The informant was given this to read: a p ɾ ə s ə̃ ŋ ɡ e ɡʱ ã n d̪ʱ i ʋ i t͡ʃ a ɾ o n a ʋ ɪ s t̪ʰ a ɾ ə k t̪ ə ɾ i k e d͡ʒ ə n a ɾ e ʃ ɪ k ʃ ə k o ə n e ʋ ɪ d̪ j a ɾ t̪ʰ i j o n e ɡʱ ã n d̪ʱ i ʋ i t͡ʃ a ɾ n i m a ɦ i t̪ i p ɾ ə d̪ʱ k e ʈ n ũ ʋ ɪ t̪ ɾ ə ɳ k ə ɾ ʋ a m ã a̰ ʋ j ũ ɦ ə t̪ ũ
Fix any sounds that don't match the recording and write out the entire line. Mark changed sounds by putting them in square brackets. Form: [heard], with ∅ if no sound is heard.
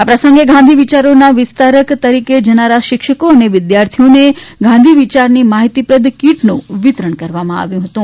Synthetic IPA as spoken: a p ɾ ə s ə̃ ŋ ɡ e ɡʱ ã n d̪ʱ i ʋ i t͡ʃ a ɾ o n a ʋ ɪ s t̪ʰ a ɾ ə k t̪ ə ɾ i k e d͡ʒ ə n a ɾ [a] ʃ ɪ k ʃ ə k o ə n e ʋ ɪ d̪ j a ɾ t̪ʰ i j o n e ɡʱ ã n d̪ʱ i ʋ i t͡ʃ a ɾ n i m a ɦ i t̪ i p ɾ ə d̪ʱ k [i] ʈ n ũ ʋ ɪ t̪ ɾ ə ɳ k ə ɾ ʋ a m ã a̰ ʋ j ũ ɦ ə t̪ ũ